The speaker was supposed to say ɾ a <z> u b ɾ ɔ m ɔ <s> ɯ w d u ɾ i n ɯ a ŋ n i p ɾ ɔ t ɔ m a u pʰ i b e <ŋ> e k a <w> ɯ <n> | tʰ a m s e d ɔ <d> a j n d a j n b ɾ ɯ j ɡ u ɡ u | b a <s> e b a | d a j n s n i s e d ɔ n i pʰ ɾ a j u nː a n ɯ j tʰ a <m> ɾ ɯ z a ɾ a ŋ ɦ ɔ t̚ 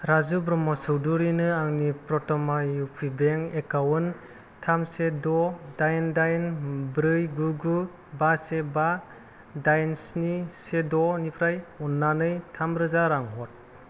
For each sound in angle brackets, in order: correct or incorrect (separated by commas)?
correct, correct, correct, correct, correct, correct, correct, correct